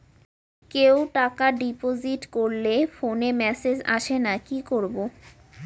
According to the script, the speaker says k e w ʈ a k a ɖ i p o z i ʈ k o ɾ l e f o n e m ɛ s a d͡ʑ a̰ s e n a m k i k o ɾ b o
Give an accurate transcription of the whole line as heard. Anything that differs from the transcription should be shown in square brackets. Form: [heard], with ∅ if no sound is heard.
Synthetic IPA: k e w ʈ a k a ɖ i p o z i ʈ k o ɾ l e f o n e m ɛ s [e] d͡ʑ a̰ [ʃ] e n a [∅] k i k o ɾ b o